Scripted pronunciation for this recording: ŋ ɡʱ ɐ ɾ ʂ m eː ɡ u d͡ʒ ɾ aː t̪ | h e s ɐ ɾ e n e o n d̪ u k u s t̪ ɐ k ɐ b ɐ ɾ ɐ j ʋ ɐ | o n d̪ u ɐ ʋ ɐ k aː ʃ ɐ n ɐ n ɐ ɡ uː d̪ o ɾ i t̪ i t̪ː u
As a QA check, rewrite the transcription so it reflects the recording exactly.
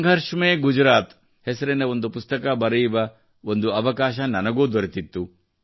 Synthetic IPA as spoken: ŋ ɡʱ ɐ ɾ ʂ m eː ɡ u d͡ʒ ɾ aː t̪ | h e s ɐ ɾ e n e o n d̪ u p u s t̪ ɐ k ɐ b ɐ ɾ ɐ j ʋ ɐ | o n d̪ u ɐ ʋ ɐ k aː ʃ ɐ n ɐ n ɐ ɡ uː d̪ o ɾ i t̪ i t̪ː u